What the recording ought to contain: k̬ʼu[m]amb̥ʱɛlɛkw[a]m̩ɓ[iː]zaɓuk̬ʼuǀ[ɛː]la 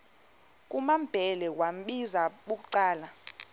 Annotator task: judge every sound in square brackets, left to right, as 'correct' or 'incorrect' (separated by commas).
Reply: correct, correct, incorrect, incorrect